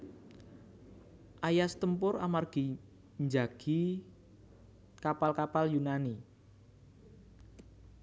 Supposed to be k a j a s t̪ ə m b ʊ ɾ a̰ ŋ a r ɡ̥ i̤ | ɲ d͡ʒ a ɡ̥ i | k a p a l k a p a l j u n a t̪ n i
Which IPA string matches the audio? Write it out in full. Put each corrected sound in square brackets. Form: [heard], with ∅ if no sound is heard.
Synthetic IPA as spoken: [ʔ] a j a s t̪ ə m [p] ʊ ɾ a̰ [m] a r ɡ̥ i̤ | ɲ d͡ʒ a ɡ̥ i | k a p a l k a p a l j u n a [∅] n i